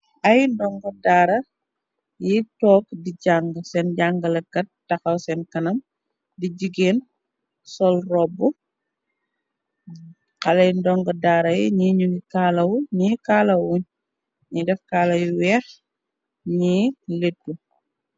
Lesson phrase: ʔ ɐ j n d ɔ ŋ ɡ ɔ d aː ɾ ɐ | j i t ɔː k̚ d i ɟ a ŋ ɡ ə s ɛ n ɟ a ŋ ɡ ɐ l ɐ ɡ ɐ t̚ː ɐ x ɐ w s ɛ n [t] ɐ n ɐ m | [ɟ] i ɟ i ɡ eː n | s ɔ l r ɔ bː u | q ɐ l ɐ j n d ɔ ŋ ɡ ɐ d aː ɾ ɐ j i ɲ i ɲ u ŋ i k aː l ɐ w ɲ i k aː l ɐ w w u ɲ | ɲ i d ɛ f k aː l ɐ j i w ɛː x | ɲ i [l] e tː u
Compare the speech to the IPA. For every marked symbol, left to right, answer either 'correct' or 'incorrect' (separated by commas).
incorrect, incorrect, correct